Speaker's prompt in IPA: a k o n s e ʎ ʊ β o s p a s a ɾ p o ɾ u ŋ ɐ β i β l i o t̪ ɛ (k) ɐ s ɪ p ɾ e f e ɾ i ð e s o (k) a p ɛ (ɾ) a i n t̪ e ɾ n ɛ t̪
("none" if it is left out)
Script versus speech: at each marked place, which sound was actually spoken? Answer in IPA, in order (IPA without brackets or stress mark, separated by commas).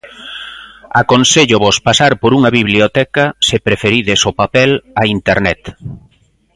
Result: k, p, l